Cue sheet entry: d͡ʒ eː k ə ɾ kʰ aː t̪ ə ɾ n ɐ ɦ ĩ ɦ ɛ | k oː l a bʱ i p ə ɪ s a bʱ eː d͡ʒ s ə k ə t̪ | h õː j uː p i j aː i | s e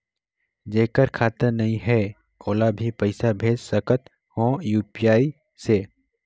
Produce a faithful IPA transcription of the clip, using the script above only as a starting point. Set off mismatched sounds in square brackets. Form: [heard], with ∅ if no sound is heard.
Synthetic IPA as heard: d͡ʒ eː k ə ɾ kʰ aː t̪ ə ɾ n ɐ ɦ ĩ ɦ ɛ | k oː l a bʱ i p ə ɪ s a bʱ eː d͡ʒ s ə k ə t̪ | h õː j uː p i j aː i | s e